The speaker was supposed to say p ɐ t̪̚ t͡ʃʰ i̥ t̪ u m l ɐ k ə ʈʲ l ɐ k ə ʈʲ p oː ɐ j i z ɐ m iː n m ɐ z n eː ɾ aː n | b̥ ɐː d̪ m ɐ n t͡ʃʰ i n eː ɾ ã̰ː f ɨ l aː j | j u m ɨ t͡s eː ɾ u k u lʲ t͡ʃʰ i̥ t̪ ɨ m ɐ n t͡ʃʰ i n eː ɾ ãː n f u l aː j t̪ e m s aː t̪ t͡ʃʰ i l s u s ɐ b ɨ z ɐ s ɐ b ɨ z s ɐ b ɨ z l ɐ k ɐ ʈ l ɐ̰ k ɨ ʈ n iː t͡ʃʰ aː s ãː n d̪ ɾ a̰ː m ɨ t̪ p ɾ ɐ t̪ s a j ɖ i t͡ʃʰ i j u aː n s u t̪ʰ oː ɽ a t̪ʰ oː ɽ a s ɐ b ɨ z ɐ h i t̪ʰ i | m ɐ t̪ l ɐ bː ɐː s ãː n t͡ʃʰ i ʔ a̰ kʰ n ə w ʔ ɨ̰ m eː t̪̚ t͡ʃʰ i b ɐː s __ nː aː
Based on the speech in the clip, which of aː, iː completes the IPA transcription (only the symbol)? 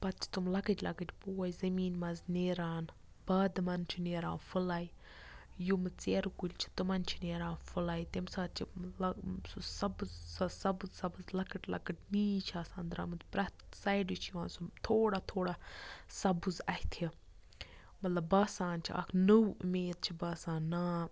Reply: aː